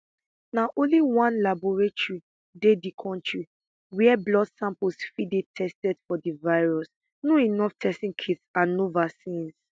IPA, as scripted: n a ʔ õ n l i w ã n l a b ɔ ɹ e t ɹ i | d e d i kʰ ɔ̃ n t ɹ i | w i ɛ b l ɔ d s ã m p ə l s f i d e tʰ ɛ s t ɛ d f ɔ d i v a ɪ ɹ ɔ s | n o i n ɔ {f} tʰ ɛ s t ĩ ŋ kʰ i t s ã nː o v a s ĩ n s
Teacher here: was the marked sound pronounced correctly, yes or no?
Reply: yes